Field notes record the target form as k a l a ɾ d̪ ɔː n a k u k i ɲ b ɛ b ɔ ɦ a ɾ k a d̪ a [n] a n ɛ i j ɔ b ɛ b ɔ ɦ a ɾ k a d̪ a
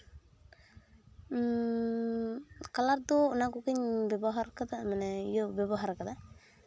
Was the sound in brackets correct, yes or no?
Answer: no